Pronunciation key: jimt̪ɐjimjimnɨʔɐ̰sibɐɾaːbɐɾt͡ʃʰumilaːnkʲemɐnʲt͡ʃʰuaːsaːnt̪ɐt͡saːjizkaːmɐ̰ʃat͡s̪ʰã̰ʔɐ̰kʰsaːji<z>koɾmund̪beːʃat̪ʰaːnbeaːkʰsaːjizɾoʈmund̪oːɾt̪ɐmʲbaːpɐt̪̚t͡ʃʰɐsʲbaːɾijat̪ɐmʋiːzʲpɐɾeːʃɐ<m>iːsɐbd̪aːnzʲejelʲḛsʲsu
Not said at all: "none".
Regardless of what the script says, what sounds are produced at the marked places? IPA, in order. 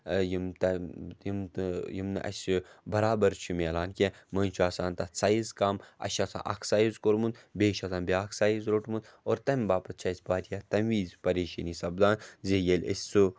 z, n

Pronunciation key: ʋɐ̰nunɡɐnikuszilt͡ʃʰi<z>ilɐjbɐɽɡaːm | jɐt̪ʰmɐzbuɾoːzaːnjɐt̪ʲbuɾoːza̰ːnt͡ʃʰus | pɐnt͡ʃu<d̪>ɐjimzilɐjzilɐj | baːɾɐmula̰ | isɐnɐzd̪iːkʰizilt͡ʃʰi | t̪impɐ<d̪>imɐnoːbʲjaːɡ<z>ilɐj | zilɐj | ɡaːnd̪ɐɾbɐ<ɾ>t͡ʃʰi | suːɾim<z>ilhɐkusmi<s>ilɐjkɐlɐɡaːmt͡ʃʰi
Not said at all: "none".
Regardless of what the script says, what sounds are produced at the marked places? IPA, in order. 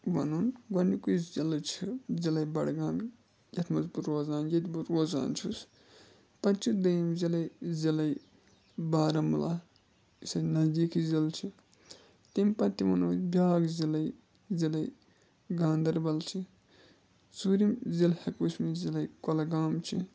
z, d̪, t̪, z, l, z, z

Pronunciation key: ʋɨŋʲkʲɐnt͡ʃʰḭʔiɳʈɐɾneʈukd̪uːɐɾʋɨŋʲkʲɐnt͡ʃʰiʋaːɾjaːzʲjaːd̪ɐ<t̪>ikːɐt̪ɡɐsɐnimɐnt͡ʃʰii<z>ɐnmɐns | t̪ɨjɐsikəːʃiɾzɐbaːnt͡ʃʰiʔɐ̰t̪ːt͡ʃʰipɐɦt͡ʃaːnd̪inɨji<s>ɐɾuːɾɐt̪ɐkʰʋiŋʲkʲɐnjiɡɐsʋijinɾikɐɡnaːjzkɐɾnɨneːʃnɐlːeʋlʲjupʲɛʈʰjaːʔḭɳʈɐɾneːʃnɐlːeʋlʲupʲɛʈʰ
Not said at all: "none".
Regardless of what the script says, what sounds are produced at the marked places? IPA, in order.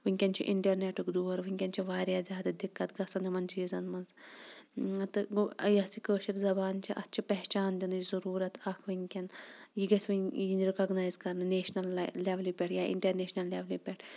d̪, z, z

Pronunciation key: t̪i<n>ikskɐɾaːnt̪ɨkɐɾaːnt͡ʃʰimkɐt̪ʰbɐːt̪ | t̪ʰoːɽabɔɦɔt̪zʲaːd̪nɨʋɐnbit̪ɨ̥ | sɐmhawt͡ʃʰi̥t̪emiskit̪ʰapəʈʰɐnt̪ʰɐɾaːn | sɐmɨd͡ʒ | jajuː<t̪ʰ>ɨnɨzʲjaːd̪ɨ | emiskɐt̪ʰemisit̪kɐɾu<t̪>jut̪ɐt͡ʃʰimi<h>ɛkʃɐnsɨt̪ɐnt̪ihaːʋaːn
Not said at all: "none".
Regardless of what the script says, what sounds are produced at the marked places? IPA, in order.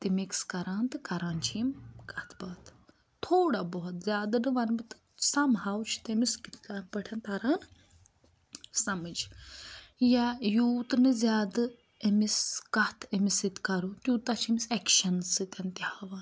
m, t̪, t̪, s

